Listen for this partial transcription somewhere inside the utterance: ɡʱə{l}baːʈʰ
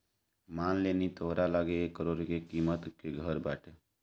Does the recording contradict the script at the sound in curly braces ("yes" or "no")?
yes